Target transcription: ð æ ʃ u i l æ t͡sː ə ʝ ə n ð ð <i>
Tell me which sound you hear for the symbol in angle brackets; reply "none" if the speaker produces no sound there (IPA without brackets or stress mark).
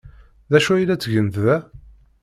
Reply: æ